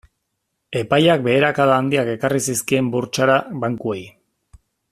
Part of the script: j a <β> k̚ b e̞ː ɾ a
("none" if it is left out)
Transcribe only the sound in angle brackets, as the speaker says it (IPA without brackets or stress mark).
none